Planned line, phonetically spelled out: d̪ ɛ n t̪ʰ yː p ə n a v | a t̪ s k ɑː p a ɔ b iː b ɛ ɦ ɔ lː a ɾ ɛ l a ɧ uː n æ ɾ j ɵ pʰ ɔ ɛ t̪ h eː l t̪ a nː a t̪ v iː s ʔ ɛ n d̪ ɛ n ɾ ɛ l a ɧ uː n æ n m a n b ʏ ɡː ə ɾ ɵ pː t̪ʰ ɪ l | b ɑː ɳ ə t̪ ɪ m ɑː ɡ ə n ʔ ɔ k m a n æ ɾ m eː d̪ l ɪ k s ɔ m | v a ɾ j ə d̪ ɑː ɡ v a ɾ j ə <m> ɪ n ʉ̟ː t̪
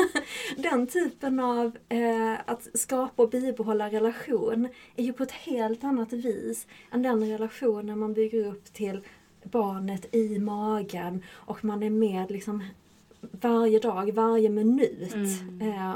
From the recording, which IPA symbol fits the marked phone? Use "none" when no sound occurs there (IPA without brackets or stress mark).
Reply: m